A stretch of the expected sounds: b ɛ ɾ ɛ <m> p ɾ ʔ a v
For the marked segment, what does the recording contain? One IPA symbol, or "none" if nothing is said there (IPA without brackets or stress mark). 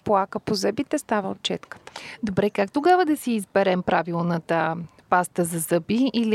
m